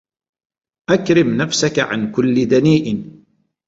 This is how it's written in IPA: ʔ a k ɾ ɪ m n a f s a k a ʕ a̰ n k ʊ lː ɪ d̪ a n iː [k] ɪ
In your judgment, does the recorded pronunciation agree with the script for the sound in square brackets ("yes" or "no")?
no